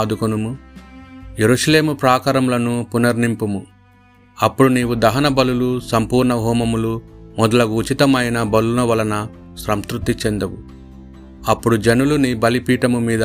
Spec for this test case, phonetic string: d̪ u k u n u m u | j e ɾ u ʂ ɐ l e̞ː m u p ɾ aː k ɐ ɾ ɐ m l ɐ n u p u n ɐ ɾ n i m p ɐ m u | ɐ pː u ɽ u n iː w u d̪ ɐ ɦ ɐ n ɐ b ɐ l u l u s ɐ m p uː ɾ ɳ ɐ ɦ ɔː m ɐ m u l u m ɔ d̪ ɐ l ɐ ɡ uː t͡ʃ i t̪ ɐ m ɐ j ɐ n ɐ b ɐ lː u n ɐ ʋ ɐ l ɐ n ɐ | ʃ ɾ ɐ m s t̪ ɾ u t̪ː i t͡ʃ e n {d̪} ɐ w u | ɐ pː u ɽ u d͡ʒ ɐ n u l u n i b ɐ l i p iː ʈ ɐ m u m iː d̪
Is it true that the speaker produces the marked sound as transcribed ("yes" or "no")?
yes